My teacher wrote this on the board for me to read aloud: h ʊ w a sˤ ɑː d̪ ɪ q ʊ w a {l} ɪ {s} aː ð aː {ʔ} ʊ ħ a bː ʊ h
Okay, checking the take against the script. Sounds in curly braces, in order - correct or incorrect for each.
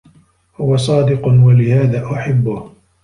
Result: correct, incorrect: h, correct

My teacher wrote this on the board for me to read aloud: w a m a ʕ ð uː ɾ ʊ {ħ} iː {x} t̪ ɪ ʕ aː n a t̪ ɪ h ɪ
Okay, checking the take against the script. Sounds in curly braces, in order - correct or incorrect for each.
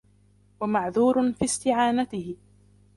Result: incorrect: f, incorrect: s

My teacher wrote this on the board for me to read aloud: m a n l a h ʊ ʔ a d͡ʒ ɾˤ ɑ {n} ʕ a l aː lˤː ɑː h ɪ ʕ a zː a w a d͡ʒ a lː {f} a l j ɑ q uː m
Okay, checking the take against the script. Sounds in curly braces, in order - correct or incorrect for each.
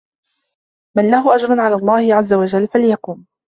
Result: correct, correct

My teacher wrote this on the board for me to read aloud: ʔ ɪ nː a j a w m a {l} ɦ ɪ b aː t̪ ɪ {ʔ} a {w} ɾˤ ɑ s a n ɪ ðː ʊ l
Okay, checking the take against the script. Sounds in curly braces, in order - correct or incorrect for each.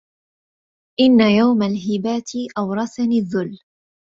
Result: correct, correct, correct

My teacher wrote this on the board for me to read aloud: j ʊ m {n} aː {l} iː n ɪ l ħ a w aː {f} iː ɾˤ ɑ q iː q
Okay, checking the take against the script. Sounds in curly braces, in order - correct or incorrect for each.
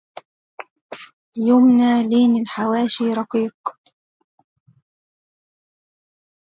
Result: correct, correct, incorrect: ʃ

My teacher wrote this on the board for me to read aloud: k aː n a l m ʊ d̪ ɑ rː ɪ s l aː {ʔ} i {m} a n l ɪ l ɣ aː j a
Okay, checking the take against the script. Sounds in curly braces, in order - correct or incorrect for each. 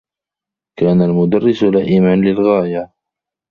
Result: correct, correct

